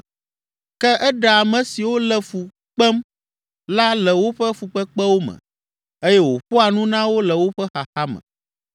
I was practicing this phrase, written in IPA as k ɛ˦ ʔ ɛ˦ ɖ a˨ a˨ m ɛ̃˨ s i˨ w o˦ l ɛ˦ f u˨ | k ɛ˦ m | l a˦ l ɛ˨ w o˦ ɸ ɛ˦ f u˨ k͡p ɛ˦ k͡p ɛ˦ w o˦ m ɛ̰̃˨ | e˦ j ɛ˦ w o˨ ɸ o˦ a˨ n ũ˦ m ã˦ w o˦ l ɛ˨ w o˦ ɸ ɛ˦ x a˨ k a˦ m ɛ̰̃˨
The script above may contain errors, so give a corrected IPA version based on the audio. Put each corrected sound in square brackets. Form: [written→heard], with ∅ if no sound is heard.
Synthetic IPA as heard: k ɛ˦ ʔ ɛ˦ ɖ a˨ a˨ m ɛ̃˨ s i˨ w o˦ l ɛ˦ f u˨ | [k→k͡p] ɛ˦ m | l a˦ l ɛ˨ w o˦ ɸ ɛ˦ f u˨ k͡p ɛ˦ k͡p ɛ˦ w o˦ m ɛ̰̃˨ | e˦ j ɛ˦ w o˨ ɸ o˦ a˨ n ũ˦ [m→n] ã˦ w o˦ l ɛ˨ w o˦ ɸ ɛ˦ x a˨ [k→x] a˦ m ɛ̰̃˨

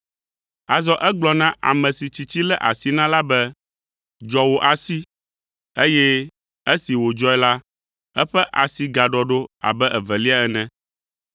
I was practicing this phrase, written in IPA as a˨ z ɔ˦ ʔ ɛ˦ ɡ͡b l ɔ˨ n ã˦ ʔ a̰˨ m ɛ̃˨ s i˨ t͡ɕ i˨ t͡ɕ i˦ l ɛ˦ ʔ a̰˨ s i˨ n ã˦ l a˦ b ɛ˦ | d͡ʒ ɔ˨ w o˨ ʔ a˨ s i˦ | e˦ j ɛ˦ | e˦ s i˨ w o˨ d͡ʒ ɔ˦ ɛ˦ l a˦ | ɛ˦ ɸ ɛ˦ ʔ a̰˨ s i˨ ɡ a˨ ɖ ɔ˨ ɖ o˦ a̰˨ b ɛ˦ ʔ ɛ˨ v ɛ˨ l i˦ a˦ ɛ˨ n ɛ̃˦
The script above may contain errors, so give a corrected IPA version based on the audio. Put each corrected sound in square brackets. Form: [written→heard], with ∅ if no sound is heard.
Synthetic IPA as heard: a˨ z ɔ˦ ʔ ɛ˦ ɡ͡b l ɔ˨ n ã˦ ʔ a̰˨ m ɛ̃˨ s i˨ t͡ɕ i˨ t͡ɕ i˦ l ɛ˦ ʔ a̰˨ s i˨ n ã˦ l a˦ b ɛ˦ | d͡ʒ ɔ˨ w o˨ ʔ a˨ s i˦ | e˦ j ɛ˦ | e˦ s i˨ w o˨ d͡ʒ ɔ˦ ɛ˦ l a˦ | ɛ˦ ɸ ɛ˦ ʔ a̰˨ s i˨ ɡ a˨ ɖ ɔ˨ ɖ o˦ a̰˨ b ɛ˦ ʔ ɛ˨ v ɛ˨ l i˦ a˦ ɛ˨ n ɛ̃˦

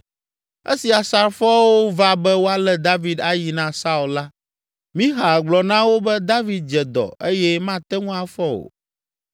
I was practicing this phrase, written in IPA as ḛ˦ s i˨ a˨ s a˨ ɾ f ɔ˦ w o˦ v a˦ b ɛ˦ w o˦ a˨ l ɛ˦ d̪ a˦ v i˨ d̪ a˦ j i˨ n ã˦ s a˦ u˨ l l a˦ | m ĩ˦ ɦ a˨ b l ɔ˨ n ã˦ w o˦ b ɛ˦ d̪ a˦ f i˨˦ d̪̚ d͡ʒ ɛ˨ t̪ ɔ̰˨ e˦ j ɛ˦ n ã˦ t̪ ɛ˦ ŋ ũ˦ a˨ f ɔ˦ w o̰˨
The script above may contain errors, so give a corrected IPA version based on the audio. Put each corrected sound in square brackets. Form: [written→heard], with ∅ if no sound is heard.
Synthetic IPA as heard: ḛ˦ s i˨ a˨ s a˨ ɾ f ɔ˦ w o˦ v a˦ b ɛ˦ w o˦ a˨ l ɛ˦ d̪ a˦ v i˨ d̪ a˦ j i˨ n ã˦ s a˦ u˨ l l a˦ | m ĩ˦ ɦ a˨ [b→ɡ͡b] l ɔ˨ n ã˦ w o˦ b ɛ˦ d̪ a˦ [f→v] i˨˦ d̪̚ d͡ʒ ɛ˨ [t̪→d̪] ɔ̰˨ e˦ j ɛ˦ [n→m] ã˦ t̪ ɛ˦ ŋ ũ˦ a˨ f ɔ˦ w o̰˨

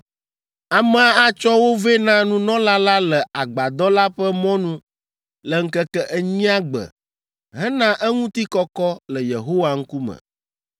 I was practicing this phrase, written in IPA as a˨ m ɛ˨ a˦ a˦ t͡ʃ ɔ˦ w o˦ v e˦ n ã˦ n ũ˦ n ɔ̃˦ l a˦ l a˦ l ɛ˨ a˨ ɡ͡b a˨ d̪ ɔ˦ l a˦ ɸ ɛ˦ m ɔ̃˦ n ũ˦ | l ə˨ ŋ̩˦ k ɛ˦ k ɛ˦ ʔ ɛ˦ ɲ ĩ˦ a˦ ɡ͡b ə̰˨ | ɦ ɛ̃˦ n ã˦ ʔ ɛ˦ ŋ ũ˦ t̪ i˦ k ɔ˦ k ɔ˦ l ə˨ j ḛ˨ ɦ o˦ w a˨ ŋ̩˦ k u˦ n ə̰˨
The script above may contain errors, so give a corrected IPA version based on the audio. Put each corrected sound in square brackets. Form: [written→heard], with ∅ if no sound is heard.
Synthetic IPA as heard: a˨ m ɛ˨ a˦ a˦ t͡ʃ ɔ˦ w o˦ v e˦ n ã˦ n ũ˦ n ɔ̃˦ l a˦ l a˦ l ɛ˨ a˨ ɡ͡b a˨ d̪ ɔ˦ l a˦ ɸ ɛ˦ m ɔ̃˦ n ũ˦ | l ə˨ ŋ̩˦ k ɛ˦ k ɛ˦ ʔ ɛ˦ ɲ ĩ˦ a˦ ɡ͡b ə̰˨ | ɦ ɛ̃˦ n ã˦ ʔ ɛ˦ ŋ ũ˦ t̪ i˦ k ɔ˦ k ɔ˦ l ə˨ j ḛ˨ ɦ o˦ w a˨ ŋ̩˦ k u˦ [n→m] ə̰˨

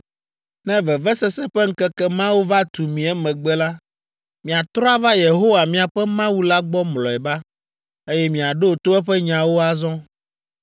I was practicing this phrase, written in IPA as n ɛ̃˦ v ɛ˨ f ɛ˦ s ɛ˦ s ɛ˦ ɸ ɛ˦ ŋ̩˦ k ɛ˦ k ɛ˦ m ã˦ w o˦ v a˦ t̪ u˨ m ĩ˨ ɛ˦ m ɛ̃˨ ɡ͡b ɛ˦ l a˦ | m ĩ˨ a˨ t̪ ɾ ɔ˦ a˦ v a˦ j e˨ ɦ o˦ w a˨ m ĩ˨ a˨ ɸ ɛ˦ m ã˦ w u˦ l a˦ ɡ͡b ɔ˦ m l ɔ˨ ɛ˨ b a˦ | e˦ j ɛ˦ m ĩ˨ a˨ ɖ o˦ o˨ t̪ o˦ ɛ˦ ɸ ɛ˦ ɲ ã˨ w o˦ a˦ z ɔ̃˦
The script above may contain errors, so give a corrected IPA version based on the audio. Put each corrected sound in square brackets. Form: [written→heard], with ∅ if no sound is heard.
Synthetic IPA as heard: n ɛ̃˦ v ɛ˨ [f→v] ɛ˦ s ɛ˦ s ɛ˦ ɸ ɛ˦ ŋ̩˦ k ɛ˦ k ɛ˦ m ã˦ w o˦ v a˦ t̪ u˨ m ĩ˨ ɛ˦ m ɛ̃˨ ɡ͡b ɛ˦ l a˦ | m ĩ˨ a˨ t̪ ɾ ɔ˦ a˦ v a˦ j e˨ ɦ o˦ w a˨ m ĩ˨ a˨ ɸ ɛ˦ m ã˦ w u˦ l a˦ ɡ͡b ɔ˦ m l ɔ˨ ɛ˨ b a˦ | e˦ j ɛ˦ m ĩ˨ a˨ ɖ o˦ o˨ t̪ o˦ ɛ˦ ɸ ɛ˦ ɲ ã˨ w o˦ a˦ z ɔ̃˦

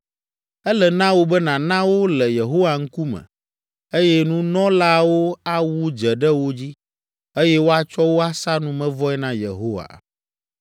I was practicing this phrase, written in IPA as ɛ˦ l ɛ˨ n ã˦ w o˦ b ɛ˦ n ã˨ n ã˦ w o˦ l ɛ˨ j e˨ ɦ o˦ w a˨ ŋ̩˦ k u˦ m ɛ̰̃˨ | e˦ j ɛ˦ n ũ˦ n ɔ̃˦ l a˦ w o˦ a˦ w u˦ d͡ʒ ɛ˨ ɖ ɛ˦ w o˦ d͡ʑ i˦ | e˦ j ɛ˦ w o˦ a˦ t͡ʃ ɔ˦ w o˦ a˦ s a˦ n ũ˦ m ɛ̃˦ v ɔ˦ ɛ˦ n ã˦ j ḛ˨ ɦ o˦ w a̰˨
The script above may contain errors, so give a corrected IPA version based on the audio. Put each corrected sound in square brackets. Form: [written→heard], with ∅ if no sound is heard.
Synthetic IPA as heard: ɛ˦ l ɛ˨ n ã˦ w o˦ b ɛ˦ n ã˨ n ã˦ w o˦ l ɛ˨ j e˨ ɦ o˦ w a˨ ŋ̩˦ k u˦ m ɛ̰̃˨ | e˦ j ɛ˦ n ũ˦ n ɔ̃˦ l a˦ w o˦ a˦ w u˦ d͡ʒ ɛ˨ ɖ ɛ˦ w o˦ d͡ʑ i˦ | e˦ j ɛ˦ w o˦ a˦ t͡ʃ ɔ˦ w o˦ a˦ s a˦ n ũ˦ m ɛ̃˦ v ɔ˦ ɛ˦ n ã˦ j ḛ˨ ɦ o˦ w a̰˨

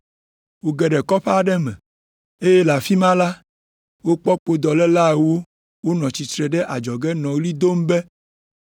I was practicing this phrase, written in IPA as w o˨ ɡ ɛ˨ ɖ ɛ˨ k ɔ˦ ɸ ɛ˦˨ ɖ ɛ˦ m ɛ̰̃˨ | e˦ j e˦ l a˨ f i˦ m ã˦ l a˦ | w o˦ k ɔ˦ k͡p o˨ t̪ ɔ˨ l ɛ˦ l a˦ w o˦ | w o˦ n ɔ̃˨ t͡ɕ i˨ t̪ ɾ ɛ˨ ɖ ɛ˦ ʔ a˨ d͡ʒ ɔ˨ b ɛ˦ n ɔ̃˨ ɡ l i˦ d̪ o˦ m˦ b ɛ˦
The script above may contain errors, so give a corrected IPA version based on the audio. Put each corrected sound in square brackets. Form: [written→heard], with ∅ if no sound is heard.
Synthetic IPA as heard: w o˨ ɡ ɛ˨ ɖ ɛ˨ k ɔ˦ ɸ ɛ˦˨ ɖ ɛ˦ m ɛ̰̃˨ | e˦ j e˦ l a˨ f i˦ m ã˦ l a˦ | w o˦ [k→k͡p] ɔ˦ k͡p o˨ [t̪→d̪] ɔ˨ l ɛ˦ l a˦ w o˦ | w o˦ n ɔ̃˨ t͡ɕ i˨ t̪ ɾ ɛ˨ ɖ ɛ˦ ʔ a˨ d͡ʒ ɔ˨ [b→ɡ] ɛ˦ n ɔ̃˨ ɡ l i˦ d̪ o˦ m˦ b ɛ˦

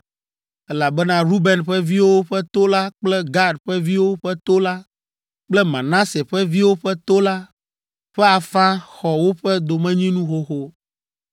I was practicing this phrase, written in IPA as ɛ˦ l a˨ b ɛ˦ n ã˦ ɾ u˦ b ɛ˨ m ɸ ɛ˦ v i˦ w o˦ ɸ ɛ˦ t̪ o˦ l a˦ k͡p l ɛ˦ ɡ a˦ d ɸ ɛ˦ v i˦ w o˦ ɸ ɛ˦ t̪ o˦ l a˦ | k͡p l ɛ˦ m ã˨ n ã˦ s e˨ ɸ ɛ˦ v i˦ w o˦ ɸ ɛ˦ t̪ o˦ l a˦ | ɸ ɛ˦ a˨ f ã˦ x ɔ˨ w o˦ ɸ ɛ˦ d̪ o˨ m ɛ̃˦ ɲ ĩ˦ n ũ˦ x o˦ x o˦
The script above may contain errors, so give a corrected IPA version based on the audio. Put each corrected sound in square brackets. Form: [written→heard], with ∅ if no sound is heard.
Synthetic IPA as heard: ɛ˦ l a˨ b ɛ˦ n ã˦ ɾ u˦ b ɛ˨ [m→n] ɸ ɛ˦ v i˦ w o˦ ɸ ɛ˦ t̪ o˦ l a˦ k͡p l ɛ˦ ɡ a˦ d ɸ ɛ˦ v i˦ w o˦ ɸ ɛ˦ t̪ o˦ l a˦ | k͡p l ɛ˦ m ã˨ n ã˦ s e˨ ɸ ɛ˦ v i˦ w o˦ ɸ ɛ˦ t̪ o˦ l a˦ | ɸ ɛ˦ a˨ f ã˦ x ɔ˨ w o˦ ɸ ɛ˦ d̪ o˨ m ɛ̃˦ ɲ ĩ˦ n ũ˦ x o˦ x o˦

